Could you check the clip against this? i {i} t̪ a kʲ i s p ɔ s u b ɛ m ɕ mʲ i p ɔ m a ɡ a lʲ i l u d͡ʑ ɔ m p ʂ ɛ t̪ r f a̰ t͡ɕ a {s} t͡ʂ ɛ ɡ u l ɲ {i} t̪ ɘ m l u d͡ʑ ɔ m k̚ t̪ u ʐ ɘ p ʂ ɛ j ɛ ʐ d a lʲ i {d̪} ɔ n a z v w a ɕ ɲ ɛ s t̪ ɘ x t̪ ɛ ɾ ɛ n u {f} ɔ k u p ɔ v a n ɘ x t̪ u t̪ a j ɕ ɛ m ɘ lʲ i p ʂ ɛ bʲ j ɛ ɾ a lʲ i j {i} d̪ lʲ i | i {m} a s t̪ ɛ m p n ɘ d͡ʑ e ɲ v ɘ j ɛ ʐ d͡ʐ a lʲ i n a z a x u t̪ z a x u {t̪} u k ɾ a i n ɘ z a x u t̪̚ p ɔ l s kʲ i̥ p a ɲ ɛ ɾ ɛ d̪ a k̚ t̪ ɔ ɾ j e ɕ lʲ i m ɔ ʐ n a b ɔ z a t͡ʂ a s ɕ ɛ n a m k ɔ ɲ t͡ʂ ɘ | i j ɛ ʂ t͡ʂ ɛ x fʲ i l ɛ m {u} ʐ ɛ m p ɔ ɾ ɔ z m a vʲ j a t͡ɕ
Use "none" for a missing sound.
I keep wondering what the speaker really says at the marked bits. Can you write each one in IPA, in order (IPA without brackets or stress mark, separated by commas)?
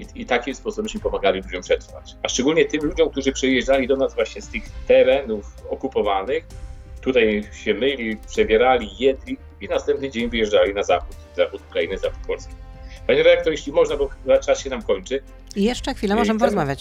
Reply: i, ʂ, ɛ, d̪, f, ɛ, n, t̪, ɔ